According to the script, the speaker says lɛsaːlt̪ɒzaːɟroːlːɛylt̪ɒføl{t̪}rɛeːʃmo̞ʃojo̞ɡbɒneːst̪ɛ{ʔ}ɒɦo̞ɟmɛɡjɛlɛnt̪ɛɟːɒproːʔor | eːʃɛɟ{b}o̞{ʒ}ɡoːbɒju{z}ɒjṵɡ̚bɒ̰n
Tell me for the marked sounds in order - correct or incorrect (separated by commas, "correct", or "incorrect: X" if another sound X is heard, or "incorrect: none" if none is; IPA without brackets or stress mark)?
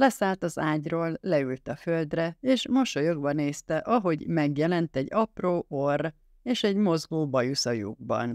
incorrect: d̪, correct, incorrect: m, incorrect: z, incorrect: s